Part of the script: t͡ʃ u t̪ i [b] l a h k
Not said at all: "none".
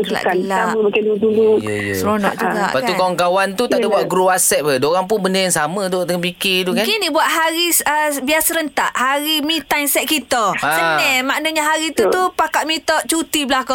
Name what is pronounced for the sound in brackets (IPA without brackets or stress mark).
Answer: b